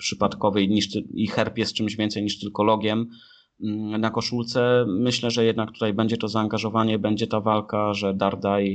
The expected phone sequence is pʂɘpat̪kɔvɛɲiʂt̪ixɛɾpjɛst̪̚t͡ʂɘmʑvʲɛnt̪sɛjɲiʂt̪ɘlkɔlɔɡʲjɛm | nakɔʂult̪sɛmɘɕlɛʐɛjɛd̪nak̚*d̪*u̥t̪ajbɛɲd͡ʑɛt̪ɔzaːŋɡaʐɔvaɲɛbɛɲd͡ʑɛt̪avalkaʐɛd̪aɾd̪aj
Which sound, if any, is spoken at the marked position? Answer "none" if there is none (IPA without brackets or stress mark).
t̪